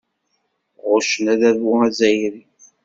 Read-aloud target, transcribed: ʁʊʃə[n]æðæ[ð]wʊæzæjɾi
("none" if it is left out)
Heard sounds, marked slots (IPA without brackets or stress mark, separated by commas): n, ð